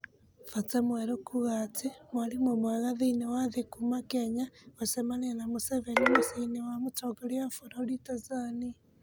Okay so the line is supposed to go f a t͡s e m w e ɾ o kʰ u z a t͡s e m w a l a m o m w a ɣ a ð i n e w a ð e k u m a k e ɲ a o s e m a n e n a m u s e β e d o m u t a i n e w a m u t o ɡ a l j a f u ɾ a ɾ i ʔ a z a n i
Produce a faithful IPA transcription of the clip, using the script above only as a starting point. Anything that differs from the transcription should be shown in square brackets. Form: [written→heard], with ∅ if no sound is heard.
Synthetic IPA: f a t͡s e m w e ɾ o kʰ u [z→ɣ] a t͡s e m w a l [a→i] m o m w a ɣ a ð i n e w a ð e k u m a k e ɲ a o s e m a n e n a m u s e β e [d→n] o m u [t→s] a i n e w a m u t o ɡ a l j a f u ɾ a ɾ i [ʔ→t] a z a n i